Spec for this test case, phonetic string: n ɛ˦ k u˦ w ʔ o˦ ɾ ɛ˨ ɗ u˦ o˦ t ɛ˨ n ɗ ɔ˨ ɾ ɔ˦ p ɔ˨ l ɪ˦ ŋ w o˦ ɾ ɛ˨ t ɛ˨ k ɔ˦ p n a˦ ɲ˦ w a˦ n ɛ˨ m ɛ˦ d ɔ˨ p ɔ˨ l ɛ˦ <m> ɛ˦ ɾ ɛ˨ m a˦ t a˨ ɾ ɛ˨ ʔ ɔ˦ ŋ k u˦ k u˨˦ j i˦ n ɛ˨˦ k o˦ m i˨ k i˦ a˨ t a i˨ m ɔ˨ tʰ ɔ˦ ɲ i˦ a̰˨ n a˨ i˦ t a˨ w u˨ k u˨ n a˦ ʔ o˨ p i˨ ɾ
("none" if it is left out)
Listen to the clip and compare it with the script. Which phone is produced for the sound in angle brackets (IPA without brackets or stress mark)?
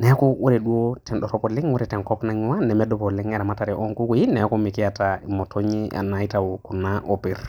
ŋ